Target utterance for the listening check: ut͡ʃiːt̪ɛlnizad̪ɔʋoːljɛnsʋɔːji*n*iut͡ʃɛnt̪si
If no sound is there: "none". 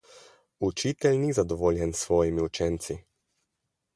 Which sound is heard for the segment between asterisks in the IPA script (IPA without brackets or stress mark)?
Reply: m